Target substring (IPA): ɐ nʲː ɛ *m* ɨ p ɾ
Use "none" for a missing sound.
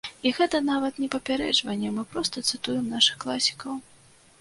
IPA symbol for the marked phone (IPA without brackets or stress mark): m